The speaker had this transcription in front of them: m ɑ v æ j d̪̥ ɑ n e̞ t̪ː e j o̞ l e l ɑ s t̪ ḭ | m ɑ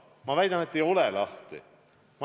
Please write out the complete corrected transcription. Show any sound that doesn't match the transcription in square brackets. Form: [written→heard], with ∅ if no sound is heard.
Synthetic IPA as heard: m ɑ v æ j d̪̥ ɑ n e̞ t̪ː e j o̞ l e l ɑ [s→h] t̪ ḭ | m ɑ